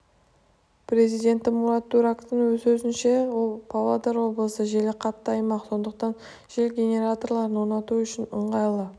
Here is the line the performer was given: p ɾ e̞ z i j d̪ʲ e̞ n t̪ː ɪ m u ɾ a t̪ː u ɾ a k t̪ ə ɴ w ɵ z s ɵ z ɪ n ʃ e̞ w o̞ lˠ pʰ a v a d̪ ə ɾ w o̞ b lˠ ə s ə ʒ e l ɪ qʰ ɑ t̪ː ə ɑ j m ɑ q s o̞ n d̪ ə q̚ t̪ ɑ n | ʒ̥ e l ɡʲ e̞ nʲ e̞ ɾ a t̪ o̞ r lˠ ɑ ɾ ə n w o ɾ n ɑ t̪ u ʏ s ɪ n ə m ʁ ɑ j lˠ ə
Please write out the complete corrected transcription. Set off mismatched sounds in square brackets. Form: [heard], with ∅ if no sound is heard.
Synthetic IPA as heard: p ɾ e̞ z i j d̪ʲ e̞ n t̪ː ɪ m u ɾ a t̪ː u ɾ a k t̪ ə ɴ w ɵ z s ɵ z ɪ n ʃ e̞ w o̞ lˠ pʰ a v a d̪ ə ɾ w o̞ b lˠ ə s ə ʒ e l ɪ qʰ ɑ t̪ː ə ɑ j m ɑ q s o̞ n d̪ ə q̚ t̪ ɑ n | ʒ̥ e l ɡʲ e̞ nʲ e̞ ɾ a t̪ o̞ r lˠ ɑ ɾ ə n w o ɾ n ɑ t̪ u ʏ [ʃ] ɪ n ə [ɴ] ʁ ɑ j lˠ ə